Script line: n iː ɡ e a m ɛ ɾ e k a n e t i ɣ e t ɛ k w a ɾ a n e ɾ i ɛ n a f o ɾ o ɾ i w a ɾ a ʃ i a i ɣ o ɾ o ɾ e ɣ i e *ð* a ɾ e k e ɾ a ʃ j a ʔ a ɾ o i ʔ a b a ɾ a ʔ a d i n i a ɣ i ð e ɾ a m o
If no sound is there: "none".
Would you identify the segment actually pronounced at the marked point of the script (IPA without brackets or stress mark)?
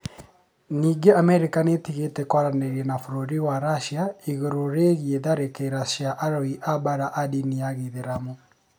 ð